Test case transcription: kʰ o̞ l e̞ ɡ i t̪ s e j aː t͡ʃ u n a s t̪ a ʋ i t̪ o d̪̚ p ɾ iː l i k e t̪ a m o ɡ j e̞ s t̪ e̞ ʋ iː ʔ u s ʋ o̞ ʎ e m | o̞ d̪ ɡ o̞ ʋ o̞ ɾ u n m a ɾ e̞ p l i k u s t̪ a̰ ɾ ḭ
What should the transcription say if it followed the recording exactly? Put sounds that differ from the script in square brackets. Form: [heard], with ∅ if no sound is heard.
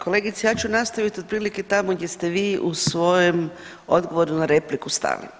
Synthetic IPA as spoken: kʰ o̞ l e̞ ɡ i t̪ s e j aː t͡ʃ u n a s t̪ a ʋ i t̪ o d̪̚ p ɾ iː l i k e t̪ a m o ɡ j e̞ s t̪ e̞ ʋ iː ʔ u s ʋ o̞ [j] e m | o̞ d̪ ɡ o̞ ʋ o̞ ɾ u n [n] a ɾ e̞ p l i k u s t̪ a̰ [l] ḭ